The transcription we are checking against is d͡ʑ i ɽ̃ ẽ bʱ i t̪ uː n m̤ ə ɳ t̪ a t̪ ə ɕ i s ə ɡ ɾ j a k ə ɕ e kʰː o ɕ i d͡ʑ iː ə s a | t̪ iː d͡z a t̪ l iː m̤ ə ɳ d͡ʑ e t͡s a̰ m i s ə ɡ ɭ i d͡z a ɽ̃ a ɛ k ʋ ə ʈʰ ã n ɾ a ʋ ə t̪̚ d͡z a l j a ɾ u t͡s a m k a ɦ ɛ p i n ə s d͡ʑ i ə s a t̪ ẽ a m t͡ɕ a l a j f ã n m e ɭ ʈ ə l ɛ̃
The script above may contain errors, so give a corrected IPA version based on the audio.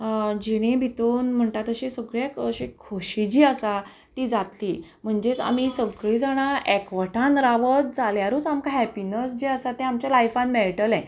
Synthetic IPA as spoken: d͡ʑ i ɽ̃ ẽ bʱ i t̪ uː n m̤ ə ɳ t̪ a t̪ ə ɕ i s ə ɡ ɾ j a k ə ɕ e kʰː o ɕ i d͡ʑ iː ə s a | t̪ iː d͡z a t̪ l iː m̤ ə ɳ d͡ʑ e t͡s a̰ m i s ə ɡ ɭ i d͡z a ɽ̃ a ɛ k ʋ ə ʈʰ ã n ɾ a ʋ ə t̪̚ d͡z a l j a ɾ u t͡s a m k a ɦ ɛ p i n ə s d͡ʑ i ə s a t̪ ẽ a m t͡ɕ a l a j f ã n m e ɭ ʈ ə l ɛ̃